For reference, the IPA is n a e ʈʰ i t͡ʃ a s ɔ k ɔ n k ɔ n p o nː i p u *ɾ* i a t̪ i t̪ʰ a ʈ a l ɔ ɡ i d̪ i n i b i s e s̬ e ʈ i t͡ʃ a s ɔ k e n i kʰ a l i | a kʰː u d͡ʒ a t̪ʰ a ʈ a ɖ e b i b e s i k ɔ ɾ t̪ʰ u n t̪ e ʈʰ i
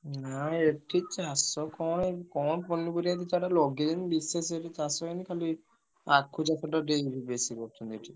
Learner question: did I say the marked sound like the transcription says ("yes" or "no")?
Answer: yes